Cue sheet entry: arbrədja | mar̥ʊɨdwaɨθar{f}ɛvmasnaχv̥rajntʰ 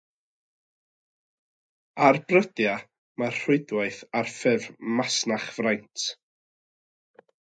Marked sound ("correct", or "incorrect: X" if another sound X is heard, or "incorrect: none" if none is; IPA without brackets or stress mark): correct